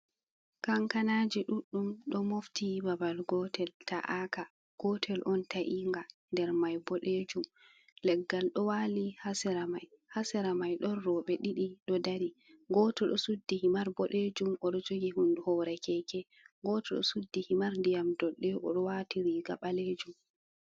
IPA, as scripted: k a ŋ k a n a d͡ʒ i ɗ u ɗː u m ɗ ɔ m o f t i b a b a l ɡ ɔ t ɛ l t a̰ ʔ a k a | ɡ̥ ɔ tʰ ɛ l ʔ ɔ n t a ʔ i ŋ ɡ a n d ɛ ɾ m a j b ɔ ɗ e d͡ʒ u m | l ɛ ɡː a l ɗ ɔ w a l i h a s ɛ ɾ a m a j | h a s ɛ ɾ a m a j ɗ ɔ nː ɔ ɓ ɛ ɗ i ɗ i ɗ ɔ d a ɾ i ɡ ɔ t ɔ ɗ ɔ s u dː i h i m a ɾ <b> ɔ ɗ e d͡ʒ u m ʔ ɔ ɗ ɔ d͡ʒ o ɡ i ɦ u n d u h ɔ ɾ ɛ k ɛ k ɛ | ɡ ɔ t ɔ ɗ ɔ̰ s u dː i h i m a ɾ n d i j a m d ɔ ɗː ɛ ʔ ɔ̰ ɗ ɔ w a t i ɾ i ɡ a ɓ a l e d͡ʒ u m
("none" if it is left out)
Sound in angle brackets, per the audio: b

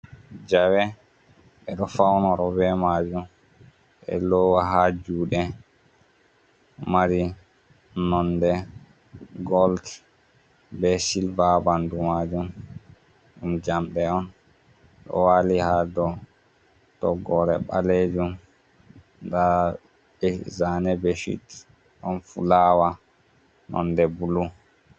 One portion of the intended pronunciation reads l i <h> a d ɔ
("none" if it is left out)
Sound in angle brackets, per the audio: h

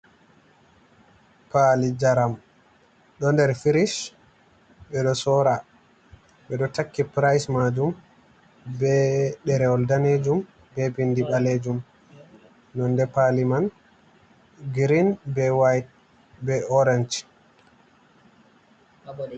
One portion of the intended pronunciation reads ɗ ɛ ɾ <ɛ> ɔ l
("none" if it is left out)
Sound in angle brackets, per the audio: ɛ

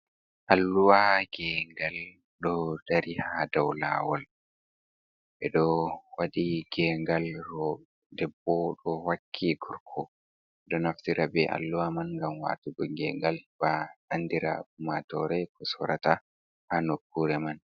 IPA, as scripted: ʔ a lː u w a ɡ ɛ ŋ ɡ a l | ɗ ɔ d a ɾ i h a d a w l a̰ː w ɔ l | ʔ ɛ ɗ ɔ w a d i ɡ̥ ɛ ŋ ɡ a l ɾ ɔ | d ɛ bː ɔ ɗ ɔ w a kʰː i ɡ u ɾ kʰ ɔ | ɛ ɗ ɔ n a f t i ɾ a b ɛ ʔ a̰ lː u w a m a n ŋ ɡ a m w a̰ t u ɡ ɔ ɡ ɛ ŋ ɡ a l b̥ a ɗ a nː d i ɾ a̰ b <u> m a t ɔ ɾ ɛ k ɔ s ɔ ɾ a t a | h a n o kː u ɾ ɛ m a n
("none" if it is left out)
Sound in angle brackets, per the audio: u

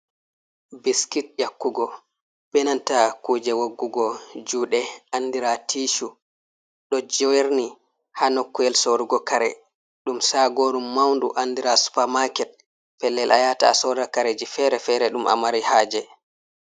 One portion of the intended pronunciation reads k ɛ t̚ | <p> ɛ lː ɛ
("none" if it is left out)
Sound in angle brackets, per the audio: p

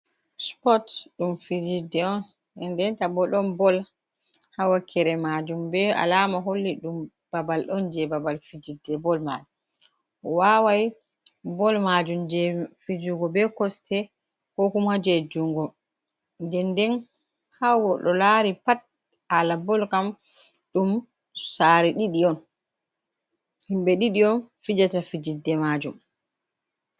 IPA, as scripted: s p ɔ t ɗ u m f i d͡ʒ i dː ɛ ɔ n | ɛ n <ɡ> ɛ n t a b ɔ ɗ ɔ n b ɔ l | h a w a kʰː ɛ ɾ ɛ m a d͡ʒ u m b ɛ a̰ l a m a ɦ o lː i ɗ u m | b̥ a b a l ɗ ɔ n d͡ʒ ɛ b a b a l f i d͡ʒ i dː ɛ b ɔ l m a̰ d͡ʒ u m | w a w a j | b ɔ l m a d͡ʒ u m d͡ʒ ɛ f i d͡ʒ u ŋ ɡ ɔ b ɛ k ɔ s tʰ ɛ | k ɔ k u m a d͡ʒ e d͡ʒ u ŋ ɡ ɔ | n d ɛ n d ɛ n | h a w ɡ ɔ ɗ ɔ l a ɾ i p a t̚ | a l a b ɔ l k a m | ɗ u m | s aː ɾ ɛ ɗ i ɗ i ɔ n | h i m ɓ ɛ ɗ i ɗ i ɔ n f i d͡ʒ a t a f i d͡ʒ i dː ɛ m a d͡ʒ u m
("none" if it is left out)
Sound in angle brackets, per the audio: d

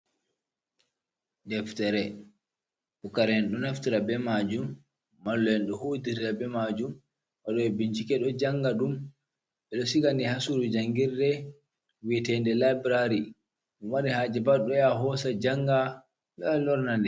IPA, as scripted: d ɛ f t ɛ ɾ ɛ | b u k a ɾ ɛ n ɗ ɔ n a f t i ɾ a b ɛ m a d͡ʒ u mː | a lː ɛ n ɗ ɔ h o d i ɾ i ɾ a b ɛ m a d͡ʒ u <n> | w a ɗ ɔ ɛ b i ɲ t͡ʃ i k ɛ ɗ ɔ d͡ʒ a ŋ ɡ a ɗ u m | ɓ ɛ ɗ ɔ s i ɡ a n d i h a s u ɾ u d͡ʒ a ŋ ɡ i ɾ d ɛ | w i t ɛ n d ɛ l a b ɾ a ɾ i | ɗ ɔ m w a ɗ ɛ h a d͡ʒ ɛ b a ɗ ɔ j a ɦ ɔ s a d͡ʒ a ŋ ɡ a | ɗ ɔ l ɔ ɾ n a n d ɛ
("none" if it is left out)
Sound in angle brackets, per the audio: m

